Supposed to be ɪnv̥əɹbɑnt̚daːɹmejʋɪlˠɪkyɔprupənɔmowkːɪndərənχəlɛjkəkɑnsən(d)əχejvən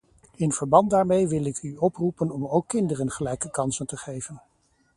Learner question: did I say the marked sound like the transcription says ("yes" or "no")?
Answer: no